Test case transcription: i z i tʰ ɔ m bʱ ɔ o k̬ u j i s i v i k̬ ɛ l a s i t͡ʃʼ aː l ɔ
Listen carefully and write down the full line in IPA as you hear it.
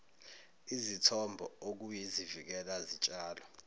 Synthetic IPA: i z i tʰ ɔ m bʱ ɔ o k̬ u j i z i v i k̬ ɛ l a z i t͡ʃʼ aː l ɔ